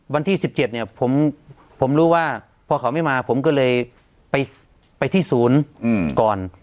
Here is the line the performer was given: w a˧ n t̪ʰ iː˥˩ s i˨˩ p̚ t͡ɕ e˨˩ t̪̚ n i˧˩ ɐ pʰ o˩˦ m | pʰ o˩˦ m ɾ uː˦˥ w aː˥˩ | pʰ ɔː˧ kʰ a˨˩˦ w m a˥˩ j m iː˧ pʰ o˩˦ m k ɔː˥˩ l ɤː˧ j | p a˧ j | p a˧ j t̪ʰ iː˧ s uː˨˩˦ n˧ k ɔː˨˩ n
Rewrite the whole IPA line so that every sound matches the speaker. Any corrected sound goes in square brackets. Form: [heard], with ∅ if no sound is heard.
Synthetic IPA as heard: w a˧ n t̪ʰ iː˥˩ s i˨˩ p̚ t͡ɕ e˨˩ t̪̚ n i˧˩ ɐ pʰ o˩˦ m | pʰ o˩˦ m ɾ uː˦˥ w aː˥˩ | pʰ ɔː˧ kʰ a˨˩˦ w m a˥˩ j m [aː˧] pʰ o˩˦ m k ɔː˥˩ l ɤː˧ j | p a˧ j | p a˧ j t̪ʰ [iː˥˩] s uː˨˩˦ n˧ k ɔː˨˩ n